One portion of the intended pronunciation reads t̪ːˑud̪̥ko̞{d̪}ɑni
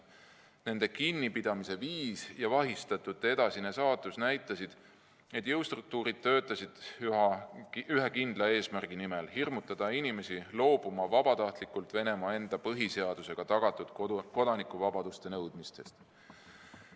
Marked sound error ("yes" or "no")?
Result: no